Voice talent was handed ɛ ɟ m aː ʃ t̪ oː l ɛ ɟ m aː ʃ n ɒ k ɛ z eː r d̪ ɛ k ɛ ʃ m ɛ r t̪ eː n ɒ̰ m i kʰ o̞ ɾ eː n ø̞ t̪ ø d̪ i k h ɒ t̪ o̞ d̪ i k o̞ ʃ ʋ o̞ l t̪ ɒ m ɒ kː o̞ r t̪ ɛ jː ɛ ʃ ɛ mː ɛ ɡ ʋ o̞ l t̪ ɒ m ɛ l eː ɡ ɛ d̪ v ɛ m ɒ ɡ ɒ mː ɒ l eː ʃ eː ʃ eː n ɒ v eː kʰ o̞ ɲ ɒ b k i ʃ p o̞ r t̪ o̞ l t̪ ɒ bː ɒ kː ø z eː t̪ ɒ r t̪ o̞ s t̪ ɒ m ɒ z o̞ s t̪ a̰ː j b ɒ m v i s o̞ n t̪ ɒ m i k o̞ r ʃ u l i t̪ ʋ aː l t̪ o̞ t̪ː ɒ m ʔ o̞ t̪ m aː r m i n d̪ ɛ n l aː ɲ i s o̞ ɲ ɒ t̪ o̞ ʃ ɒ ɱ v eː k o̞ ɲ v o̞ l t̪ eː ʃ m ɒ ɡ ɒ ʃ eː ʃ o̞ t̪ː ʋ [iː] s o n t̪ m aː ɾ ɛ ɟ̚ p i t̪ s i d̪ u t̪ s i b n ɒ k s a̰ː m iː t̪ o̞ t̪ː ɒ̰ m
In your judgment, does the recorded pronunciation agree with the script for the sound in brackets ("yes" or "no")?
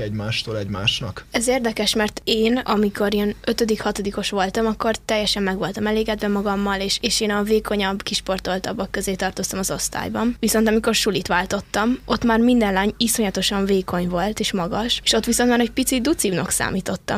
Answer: no